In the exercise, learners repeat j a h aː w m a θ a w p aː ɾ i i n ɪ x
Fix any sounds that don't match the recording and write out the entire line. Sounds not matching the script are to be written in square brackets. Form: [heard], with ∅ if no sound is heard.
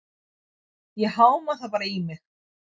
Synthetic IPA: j [ɛ] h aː w m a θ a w p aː ɾ [a] i [m] ɪ x